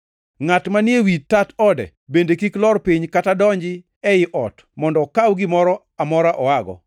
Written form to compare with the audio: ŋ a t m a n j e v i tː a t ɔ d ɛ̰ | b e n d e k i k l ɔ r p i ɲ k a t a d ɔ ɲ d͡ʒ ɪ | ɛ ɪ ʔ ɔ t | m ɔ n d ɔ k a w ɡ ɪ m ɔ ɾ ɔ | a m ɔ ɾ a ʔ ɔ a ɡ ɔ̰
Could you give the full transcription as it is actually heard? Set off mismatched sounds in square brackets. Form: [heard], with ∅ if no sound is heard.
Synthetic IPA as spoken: ŋ a t m a n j e [w] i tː a t ɔ d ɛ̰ | b e n d e k i k l ɔ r p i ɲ k a t a d ɔ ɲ d͡ʒ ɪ | ɛ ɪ ʔ ɔ t | m ɔ n d ɔ k a w ɡ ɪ m ɔ ɾ ɔ | a m ɔ ɾ a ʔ ɔ a ɡ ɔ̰